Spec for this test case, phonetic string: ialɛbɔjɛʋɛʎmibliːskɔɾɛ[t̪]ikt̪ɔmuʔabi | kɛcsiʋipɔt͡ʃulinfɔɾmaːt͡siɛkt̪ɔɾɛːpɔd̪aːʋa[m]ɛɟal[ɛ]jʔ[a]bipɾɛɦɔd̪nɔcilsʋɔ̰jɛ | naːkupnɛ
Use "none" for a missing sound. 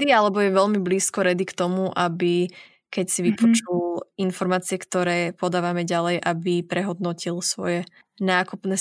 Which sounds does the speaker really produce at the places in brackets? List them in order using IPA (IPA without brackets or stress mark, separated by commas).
d̪, m, ɛ, a